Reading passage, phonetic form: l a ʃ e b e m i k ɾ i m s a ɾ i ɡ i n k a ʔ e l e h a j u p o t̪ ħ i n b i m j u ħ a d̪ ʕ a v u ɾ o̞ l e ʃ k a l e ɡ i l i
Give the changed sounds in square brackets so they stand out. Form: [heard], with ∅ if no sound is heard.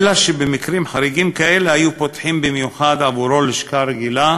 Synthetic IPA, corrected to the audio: l a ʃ e b e m i k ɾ i m [ħ] a ɾ i ɡ i [m] k a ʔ e l e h a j u p o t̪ ħ i [m] b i m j u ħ a d̪ ʕ a v u ɾ o̞ l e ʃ k a [ɾ] e ɡ i l [a]